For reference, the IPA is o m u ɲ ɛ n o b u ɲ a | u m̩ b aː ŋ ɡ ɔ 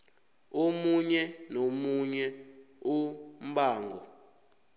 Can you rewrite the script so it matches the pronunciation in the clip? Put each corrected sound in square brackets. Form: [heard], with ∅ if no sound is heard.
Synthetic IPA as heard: o m u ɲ ɛ n o [m] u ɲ [ɛ] | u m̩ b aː ŋ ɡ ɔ